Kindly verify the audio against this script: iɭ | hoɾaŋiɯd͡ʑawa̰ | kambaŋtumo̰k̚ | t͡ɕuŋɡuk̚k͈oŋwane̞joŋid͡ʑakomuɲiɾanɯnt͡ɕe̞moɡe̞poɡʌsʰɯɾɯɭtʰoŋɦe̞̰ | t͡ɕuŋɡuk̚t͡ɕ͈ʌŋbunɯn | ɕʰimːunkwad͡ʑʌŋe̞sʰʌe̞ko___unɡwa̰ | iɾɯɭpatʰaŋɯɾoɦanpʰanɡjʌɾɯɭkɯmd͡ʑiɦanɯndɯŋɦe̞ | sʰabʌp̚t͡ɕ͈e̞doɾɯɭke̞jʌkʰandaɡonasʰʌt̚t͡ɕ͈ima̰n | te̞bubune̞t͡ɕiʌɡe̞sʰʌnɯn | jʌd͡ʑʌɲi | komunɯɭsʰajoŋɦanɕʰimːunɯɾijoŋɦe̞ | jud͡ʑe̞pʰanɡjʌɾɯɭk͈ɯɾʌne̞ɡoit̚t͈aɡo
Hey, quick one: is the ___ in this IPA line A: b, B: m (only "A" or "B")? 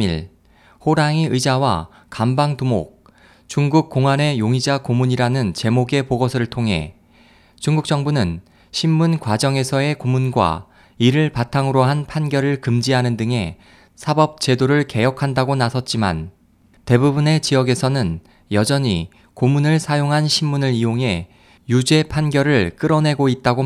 B